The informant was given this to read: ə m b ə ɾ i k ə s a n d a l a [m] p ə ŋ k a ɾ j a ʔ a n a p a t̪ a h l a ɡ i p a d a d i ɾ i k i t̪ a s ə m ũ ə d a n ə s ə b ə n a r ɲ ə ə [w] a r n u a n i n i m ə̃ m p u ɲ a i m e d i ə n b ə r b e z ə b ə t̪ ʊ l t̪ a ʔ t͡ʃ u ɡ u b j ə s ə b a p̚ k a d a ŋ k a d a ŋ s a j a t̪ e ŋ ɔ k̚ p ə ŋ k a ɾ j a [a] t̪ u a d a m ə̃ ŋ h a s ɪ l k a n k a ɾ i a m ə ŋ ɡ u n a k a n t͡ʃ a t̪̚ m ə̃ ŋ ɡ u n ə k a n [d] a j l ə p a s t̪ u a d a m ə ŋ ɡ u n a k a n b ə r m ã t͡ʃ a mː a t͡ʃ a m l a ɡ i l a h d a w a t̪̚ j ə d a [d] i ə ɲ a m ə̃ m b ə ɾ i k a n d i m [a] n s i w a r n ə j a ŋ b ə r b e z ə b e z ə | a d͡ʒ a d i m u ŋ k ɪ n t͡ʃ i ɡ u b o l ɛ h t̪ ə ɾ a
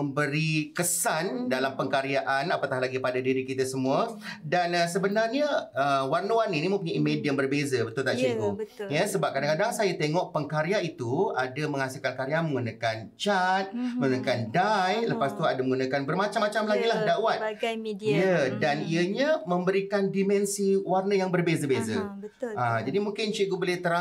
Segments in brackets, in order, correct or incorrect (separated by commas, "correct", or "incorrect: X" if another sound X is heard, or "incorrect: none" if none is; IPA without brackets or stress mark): correct, correct, incorrect: i, correct, incorrect: n, incorrect: ɛ